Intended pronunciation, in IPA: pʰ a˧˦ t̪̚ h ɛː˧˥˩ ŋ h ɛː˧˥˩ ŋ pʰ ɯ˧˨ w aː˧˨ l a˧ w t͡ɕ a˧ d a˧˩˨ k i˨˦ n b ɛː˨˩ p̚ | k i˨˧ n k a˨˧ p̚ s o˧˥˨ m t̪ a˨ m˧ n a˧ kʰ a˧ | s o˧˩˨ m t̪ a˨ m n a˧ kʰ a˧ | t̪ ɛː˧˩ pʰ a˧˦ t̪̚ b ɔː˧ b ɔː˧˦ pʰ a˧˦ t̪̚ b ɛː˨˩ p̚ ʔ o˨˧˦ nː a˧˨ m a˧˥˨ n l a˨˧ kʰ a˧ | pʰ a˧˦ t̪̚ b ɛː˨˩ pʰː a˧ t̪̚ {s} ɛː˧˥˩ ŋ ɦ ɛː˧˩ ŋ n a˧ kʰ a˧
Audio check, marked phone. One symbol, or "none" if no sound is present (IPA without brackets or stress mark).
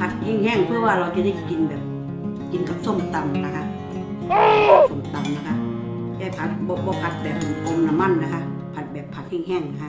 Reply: h